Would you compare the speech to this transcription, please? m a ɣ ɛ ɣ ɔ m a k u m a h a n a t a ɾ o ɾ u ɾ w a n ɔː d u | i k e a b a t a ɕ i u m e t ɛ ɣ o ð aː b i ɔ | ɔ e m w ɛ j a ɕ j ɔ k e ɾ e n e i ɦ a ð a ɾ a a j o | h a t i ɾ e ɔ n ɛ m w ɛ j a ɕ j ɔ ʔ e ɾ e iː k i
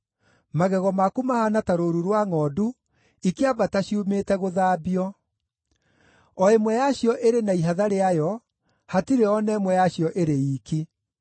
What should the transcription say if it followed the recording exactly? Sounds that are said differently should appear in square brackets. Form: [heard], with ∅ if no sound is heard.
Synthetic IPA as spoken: m a ɣ ɛ ɣ ɔ m a k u m a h a n a t a ɾ o ɾ u ɾ w a [ŋ] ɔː d u | i k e a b a t a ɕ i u m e t ɛ ɣ o ð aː b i ɔ | ɔ e m w ɛ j a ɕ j ɔ [ʔ] e ɾ e n [a] i ɦ a ð a ɾ [e] a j [ɔ] | h a t i ɾ e ɔ n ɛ m w ɛ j a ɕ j ɔ ʔ e ɾ e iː k i